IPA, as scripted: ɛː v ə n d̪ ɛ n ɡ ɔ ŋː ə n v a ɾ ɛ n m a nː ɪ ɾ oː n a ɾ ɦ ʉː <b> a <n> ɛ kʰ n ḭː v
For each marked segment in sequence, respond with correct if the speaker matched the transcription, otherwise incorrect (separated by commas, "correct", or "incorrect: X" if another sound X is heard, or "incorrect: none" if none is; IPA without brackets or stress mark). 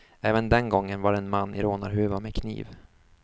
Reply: incorrect: v, incorrect: m